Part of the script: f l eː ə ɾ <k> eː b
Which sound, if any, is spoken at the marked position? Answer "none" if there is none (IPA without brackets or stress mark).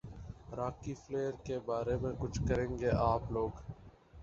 k